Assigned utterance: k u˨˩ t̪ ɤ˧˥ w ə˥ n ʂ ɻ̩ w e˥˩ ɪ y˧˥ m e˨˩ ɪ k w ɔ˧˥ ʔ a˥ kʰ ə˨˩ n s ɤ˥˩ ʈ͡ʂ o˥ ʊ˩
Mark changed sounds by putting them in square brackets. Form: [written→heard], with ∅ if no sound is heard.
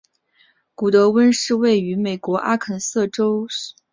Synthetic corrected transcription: k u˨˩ t̪ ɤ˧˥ w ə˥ n ʂ ɻ̩ w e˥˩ ɪ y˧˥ m e˨˩ ɪ k w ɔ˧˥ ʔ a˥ kʰ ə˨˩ n s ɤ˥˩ ʈ͡ʂ o˥ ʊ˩